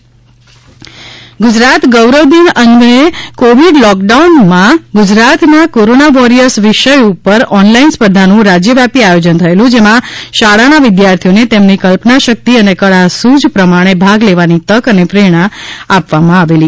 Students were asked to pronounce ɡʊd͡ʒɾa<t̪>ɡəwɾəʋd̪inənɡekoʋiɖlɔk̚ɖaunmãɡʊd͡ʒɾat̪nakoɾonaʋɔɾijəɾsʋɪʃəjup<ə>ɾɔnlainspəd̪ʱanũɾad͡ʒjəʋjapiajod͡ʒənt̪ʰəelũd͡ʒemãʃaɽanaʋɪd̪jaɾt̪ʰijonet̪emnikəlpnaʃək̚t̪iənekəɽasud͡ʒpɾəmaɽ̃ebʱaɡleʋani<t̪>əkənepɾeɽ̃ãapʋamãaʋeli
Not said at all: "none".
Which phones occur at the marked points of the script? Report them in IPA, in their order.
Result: t̪, ə, t̪

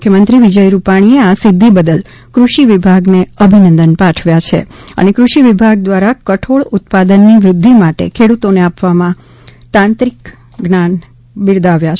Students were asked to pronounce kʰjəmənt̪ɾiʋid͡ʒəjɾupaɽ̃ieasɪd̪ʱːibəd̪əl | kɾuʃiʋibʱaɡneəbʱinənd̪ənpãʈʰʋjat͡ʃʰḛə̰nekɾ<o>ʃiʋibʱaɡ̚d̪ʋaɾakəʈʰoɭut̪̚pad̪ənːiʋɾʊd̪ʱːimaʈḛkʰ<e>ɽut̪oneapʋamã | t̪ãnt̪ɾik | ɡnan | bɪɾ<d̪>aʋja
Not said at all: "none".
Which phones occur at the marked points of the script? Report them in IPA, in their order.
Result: u, e, d̪

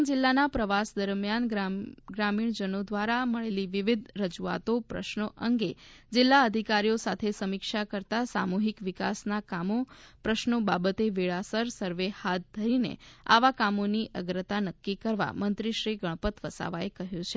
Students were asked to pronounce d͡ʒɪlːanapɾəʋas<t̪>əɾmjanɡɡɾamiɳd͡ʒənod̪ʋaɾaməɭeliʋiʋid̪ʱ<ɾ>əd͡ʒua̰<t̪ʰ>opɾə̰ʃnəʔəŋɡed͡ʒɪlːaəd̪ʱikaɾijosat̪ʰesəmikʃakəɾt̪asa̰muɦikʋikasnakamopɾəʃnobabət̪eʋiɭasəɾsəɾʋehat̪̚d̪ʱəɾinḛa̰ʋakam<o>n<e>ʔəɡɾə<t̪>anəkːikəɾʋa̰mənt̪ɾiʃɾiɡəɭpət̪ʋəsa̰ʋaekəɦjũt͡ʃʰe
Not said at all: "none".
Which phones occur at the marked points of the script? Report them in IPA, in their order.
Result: d̪, ɾ, t̪, o, i, t̪

